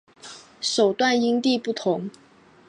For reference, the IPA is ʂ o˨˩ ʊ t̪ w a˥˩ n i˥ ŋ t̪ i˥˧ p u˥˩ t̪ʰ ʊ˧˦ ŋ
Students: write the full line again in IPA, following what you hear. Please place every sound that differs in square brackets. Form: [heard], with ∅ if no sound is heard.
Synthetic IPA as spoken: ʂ o˨˩ ʊ t̪ w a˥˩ n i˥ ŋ t̪ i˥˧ p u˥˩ t̪ʰ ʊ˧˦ ŋ